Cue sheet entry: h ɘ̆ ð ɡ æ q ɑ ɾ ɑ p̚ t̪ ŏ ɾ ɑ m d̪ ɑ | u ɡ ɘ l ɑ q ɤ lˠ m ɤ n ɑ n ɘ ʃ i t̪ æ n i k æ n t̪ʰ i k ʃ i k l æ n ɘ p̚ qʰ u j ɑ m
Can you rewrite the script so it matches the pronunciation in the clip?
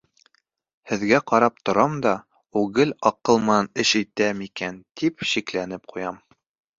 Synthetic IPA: h ɘ̆ ð ɡ æ q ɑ ɾ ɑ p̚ t̪ ŏ ɾ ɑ m d̪ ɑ | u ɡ ɘ l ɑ q ɤ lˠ m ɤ n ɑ n ɘ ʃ i t̪ æ m i k æ n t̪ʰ i p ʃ i k l æ n ɘ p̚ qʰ u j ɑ m